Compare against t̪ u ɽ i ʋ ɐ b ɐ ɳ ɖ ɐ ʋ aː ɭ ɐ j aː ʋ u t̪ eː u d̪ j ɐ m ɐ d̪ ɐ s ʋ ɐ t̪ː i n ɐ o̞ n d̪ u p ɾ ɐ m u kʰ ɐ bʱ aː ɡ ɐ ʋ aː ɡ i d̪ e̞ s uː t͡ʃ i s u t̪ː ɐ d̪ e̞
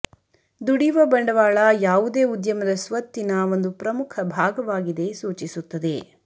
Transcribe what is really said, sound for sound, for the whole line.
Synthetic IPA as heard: d̪ u ɽ i ʋ ɐ b ɐ ɳ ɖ ɐ ʋ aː ɭ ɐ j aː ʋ u d̪ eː u d̪ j ɐ m ɐ d̪ ɐ s ʋ ɐ t̪ː i n ɐ o̞ n d̪ u p ɾ ɐ m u kʰ ɐ bʱ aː ɡ ɐ ʋ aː ɡ i d̪ e̞ s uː t͡ʃ i s u t̪ː ɐ d̪ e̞

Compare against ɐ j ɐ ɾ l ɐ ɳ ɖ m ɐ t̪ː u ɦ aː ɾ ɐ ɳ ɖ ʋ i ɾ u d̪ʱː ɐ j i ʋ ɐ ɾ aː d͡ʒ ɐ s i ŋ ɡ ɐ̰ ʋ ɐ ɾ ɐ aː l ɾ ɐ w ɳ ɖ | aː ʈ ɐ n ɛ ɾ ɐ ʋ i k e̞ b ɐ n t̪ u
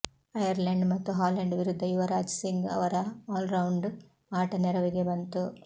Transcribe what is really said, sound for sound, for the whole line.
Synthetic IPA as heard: ɐ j ɐ ɾ l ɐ ɳ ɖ m ɐ t̪ː u ɦ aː l ɐ ɳ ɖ ʋ i ɾ u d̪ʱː ɐ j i ʋ ɐ ɾ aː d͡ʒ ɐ s i ŋ ɡ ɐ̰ ʋ ɐ ɾ ɐ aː l ɾ ɐ w ɳ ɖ | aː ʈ ɐ n ɛ ɾ ɐ ʋ i ɡ e̞ b ɐ n t̪ u

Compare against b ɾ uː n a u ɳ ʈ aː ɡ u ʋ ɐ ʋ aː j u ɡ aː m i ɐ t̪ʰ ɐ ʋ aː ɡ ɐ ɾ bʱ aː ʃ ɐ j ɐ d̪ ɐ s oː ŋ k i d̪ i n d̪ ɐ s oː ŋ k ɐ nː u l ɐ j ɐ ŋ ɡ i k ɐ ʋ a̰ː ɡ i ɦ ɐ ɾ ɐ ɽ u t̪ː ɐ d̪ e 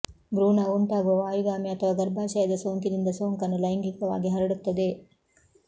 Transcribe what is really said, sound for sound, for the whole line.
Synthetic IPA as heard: b ɾ uː n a u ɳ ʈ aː ɡ u ʋ ɐ ʋ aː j u ɡ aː m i ɐ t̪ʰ ɐ ʋ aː ɡ ɐ ɾ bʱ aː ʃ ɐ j ɐ d̪ ɐ s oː ŋ k i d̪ i n d̪ ɐ s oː ŋ k ɐ nː u l ɐ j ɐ ŋ ɡ i k ɐ ʋ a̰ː ɡ i ɦ ɐ ɾ ɐ ɽ u t̪ː ɐ d̪ e

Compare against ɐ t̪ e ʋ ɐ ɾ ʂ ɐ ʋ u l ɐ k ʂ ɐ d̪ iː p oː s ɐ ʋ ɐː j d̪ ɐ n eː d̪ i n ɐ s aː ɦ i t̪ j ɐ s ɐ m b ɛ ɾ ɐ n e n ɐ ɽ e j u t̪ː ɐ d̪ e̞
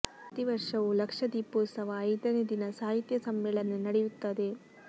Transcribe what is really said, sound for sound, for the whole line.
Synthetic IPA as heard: ɐ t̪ i ʋ ɐ ɾ ʂ ɐ ʋ u l ɐ k ʂ ɐ d̪ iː p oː s ɐ ʋ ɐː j d̪ ɐ n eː d̪ i n ɐ s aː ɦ i t̪ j ɐ s ɐ m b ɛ ɭ ɐ n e n ɐ ɽ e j u t̪ː ɐ d̪ e̞

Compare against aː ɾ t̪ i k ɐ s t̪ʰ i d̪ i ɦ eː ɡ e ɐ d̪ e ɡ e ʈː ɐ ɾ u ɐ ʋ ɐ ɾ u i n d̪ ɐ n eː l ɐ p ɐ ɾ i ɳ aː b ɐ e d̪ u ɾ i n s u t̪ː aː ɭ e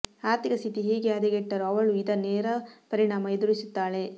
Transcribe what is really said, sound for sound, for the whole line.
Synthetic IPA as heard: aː ɾ t̪ i k ɐ s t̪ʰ i t̪ i ɦ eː ɡ e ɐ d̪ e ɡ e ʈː ɐ ɾ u ɐ ʋ ɐ ɭ u i d̪ ɐ n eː ɾ ɐ p ɐ ɾ i ɳ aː m ɐ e d̪ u ɾ i s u t̪ː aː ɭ e

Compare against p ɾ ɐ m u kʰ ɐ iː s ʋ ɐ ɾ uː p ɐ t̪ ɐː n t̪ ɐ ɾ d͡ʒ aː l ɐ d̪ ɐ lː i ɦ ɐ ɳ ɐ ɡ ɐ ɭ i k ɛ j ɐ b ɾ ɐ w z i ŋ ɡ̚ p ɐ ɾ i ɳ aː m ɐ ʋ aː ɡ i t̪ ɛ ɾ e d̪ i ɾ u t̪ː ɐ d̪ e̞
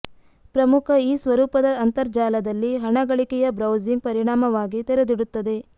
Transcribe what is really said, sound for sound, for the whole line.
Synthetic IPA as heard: p ɾ ɐ m u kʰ ɐ iː s ʋ ɐ ɾ uː p ɐ d̪ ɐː n t̪ ɐ ɾ d͡ʒ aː l ɐ d̪ ɐ lː i ɦ ɐ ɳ ɐ ɡ ɐ ɭ i k ɛ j ɐ b ɾ ɐ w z i ŋ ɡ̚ p ɐ ɾ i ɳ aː m ɐ ʋ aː ɡ i t̪ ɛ ɾ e d̪ i ɽ u t̪ː ɐ d̪ e̞

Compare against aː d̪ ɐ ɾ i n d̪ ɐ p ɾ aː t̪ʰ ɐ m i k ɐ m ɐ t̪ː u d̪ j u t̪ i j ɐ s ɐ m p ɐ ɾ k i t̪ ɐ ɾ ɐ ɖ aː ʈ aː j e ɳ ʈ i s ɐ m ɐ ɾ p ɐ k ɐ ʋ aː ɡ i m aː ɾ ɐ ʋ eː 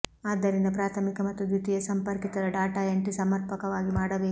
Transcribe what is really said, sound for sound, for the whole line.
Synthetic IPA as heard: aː d̪ ɐ ɾ i n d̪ ɐ p ɾ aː t̪ʰ ɐ m i k ɐ m ɐ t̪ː u d̪ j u t̪ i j ɐ s ɐ m p ɐ ɾ k i t̪ ɐ ɾ ɐ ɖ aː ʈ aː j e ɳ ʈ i s ɐ m ɐ ɾ p ɐ k ɐ ʋ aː ɡ i m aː ɽ ɐ ʋ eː

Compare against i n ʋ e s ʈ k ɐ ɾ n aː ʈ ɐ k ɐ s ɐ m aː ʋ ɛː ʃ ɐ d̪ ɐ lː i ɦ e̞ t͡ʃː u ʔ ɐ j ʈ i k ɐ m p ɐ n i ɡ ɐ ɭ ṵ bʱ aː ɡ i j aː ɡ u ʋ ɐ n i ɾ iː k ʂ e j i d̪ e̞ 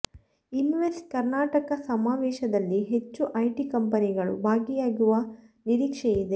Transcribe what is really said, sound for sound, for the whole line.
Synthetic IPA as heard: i n ʋ e s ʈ k ɐ ɾ n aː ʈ ɐ k ɐ s ɐ m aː ʋ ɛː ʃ ɐ d̪ ɐ lː i ɦ e̞ t͡ʃː u ʔ ɐ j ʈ i k ɐ m p ɐ n i ɡ ɐ ɭ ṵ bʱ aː ɡ i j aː ɡ u ʋ ɐ n i ɾ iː k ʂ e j i d̪ e̞

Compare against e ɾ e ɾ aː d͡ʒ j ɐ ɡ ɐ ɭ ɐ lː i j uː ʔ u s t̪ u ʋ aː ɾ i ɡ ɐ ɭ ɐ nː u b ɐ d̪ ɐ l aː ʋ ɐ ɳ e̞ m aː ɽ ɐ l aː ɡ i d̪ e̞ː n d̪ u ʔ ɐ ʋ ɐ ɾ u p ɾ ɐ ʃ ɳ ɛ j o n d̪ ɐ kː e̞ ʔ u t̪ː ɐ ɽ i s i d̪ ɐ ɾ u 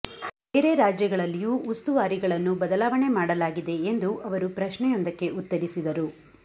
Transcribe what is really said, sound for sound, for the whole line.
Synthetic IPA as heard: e ɾ e ɾ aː d͡ʒ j ɐ ɡ ɐ ɭ ɐ lː i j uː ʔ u s t̪ u ʋ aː ɾ i ɡ ɐ ɭ ɐ nː u b ɐ d̪ ɐ l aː ʋ ɐ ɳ e̞ m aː ɽ ɐ l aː ɡ i d̪ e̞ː n d̪ u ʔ ɐ ʋ ɐ ɾ u p ɾ ɐ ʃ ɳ ɛ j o n d̪ ɐ kː e̞ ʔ u t̪ː ɐ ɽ i s i d̪ ɐ ɾ u

